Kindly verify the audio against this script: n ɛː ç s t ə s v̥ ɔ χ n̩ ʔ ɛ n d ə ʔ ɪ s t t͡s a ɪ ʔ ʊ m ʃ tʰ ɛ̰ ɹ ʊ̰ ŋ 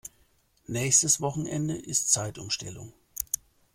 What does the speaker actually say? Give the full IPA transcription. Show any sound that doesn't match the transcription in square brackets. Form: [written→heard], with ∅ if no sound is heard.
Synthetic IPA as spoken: n ɛː ç s t ə s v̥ ɔ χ n̩ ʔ ɛ n d ə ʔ ɪ s t t͡s a ɪ [ʔ→t] ʊ m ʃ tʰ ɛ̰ [ɹ→l] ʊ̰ ŋ

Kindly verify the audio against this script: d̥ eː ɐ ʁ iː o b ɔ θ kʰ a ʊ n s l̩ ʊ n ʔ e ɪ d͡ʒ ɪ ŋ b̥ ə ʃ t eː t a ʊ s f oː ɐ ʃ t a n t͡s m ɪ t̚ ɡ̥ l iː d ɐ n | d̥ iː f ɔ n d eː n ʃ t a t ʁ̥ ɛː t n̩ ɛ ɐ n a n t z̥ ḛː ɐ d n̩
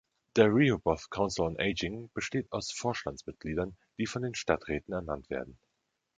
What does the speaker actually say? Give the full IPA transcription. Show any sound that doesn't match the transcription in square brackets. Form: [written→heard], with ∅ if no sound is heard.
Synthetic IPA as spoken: d̥ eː ɐ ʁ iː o b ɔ θ kʰ a ʊ n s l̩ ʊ n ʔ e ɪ d͡ʒ ɪ ŋ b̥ ə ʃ t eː t a ʊ s f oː ɐ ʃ t a n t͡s m ɪ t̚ ɡ̥ l iː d ɐ n | d̥ iː f ɔ n d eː n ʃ t a t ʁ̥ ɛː t n̩ ɛ ɐ n a n t [z̥→v̥] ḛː ɐ d n̩

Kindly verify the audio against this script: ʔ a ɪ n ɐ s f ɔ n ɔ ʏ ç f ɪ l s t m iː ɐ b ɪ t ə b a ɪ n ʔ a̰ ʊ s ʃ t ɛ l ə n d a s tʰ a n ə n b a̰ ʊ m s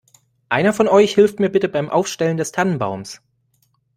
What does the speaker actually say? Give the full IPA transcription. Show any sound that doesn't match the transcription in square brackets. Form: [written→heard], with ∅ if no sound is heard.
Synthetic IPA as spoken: ʔ a ɪ n ɐ [s→∅] f ɔ n ɔ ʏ ç [f→h] ɪ l [s→f] t m iː ɐ b ɪ t ə b a ɪ [n→m] ʔ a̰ ʊ [s→f] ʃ t ɛ l ə n d [a→ɛ] s tʰ a n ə n b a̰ ʊ m s

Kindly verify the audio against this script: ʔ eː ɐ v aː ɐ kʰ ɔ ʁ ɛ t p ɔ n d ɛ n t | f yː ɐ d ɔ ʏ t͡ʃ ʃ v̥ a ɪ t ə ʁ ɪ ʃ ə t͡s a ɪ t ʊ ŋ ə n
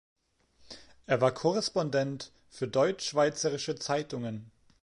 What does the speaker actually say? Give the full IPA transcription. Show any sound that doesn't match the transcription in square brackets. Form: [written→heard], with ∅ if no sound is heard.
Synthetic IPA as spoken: ʔ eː ɐ v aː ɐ kʰ ɔ ʁ ɛ [t→s] p ɔ n d ɛ n t | f yː ɐ d ɔ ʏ t͡ʃ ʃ v̥ a ɪ [t→t͡s] ə ʁ ɪ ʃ ə t͡s a ɪ t ʊ ŋ ə n

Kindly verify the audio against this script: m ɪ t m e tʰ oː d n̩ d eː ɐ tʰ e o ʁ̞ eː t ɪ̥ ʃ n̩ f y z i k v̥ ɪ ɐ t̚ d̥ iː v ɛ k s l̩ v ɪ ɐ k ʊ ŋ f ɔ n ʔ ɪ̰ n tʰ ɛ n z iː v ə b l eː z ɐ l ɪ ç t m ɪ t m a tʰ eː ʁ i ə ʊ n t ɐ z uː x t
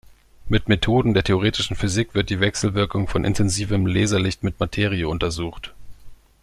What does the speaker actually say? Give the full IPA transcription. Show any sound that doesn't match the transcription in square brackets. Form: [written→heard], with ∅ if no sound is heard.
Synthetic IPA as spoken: m ɪ t m e tʰ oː d n̩ d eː ɐ tʰ e o ʁ̞ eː t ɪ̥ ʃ n̩ f y z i k v̥ ɪ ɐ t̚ d̥ iː v ɛ k s l̩ v ɪ ɐ k ʊ ŋ f ɔ n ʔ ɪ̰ n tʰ ɛ n z iː v ə [b→m] l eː z ɐ l ɪ ç t m ɪ t m a tʰ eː ʁ i ə ʊ n t ɐ z uː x t

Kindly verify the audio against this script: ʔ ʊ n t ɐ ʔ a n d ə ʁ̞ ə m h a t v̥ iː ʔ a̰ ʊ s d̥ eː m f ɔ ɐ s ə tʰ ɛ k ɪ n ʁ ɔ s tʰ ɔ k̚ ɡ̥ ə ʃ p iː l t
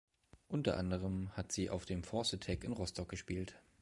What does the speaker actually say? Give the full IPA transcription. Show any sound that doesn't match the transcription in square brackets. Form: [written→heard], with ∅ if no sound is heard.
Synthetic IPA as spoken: ʔ ʊ n t ɐ ʔ a n d ə ʁ̞ ə m h a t [v̥→z̥] iː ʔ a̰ ʊ [s→f] d̥ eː m f ɔ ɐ s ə tʰ ɛ k ɪ n ʁ ɔ s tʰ ɔ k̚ ɡ̥ ə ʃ p iː l t

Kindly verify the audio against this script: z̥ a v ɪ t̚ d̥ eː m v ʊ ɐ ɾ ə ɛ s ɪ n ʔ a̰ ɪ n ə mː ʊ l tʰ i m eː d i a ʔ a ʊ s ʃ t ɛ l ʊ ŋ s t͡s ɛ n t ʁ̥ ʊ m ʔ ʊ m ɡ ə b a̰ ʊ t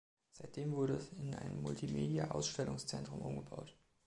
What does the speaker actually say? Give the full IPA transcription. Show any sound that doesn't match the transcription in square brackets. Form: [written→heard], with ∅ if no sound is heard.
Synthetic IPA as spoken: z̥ a [v→∅] ɪ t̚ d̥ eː m v ʊ ɐ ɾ ə ɛ s ɪ n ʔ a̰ ɪ n ə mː ʊ l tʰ i m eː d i a ʔ a ʊ s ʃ t ɛ l ʊ ŋ s t͡s ɛ n t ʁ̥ ʊ m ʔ ʊ m ɡ ə b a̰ ʊ t

